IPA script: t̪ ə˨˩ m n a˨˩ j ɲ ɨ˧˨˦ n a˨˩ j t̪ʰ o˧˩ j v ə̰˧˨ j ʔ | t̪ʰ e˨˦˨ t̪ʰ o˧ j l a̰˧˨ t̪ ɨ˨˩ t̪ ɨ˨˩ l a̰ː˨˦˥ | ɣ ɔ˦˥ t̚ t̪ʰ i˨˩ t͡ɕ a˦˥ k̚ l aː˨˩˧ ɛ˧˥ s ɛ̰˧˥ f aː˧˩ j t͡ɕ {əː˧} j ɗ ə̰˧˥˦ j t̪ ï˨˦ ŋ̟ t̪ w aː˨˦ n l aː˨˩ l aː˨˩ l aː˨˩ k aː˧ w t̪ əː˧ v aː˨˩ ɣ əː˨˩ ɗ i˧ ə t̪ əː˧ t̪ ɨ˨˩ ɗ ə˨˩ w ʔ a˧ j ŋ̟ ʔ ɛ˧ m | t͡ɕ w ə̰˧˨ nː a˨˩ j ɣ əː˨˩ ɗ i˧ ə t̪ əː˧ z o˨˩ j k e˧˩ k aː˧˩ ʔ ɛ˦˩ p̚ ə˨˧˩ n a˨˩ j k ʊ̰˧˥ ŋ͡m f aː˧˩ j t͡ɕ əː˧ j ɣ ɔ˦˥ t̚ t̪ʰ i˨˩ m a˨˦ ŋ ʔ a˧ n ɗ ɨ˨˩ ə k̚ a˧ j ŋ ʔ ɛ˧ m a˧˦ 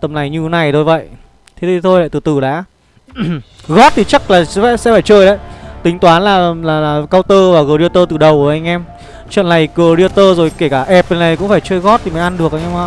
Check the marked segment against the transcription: correct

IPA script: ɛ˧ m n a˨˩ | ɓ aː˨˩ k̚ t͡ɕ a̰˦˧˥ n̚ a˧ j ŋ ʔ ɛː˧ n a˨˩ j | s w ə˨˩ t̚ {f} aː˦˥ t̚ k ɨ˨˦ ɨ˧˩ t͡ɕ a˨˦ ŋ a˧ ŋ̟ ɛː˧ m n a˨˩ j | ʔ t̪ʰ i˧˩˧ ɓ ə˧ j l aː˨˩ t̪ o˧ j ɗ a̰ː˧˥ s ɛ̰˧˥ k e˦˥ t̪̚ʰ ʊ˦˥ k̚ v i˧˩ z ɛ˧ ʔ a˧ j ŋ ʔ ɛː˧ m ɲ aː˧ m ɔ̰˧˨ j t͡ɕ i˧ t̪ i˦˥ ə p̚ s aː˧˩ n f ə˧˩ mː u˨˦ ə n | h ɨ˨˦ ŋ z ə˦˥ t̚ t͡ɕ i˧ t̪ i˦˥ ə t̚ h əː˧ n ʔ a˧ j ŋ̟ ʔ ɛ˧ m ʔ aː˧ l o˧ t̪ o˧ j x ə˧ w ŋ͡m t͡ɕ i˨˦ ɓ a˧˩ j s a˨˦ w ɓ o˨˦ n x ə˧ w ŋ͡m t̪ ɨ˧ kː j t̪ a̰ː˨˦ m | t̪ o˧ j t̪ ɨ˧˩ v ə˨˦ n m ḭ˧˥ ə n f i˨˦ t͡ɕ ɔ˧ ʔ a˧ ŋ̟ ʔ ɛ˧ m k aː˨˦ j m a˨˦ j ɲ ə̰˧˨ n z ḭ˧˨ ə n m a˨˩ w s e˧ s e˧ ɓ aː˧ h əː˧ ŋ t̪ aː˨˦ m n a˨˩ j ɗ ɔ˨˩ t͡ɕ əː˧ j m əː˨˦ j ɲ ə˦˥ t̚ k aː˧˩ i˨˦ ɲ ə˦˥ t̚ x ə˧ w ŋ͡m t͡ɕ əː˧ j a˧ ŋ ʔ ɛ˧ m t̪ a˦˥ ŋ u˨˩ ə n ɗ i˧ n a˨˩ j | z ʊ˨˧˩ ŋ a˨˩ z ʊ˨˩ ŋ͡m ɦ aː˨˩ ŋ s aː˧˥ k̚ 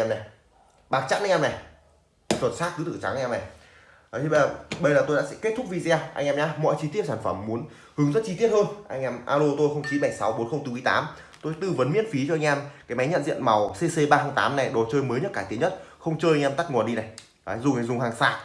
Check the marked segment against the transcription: incorrect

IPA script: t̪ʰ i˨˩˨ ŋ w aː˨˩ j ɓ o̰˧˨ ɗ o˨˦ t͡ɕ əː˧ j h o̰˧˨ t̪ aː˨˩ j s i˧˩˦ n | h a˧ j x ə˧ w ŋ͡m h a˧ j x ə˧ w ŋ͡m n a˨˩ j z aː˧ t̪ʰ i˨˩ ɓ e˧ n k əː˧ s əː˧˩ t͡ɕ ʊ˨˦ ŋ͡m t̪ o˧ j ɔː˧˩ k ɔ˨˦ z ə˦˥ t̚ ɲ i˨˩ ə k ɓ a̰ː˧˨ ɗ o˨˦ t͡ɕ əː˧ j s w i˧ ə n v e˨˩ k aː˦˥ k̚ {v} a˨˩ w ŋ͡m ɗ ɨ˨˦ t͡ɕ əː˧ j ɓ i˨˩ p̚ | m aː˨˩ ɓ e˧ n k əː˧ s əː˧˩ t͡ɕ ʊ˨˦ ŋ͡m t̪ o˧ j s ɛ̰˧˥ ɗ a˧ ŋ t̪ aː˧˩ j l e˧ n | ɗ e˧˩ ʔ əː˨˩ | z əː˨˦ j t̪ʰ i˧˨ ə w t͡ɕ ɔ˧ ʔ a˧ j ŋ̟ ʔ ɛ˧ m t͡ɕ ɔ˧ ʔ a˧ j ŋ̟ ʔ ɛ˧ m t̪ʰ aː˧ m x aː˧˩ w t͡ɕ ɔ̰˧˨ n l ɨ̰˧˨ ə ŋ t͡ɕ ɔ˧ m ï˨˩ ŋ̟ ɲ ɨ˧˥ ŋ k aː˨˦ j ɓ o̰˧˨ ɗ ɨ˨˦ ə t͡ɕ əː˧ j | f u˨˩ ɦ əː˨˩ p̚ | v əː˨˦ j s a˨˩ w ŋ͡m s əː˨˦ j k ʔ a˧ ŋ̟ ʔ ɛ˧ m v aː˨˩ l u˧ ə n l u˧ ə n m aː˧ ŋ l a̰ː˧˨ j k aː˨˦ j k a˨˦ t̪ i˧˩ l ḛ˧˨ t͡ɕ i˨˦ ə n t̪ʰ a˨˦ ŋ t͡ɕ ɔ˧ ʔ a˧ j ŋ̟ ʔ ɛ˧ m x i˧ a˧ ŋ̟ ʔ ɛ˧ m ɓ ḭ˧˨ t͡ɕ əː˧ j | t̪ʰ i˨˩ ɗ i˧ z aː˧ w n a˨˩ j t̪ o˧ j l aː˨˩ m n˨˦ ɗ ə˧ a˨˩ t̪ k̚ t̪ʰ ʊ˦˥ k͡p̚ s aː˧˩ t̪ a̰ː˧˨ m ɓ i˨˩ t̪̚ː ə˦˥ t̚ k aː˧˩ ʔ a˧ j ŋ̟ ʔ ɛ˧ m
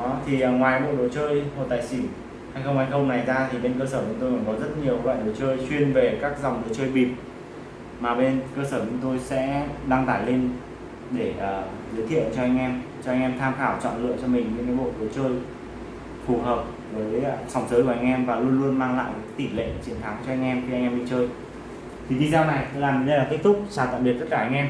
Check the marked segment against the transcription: incorrect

